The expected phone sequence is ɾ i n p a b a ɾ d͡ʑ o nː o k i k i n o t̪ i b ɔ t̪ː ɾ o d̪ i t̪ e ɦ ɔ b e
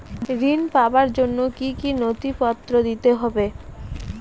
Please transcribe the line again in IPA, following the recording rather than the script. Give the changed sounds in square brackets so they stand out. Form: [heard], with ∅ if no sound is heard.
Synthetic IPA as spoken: ɾ i n p a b a ɾ d͡ʑ o nː o k i k i n o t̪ i [p] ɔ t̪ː ɾ o d̪ i t̪ e ɦ ɔ b e